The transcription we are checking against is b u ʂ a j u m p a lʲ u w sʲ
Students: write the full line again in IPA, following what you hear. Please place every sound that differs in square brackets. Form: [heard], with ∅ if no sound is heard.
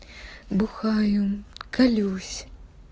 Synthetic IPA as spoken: b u [x] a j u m [k] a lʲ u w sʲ